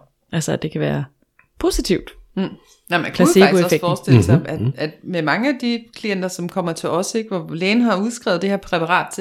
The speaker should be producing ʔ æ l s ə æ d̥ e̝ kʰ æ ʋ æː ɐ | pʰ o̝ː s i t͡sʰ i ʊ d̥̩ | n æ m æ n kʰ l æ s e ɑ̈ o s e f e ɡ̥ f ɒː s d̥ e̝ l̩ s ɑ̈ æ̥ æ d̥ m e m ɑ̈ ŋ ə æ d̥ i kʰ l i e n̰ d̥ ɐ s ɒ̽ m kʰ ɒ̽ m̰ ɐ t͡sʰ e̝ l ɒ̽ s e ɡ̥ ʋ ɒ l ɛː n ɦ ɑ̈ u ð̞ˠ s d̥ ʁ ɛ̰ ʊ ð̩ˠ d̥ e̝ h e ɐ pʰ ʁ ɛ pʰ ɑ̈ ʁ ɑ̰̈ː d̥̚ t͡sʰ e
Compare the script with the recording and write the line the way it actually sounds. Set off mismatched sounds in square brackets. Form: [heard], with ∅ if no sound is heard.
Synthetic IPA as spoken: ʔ æ l s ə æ d̥ e̝ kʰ æ ʋ æː ɐ | pʰ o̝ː s i t͡sʰ i ʊ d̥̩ | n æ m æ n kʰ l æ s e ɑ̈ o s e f e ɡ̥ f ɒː s d̥ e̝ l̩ s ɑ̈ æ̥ æ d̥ m e m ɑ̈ ŋ ə æ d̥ i kʰ l i e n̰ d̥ ɐ s ɒ̽ m kʰ ɒ̽ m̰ ɐ t͡sʰ e̝ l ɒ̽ s e ɡ̥ ʋ ɒ l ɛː n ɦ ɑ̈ u ð̞ˠ s [ɡ̥] ʁ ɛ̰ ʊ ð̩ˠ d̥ e̝ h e ɐ pʰ ʁ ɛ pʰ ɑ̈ ʁ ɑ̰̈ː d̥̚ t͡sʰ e